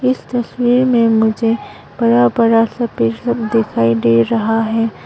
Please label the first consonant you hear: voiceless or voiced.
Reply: voiceless